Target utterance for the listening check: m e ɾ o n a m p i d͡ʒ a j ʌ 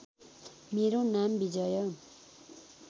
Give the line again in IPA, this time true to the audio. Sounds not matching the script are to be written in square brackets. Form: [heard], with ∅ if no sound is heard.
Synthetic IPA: m e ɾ o n a m [b] i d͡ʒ [ʌ] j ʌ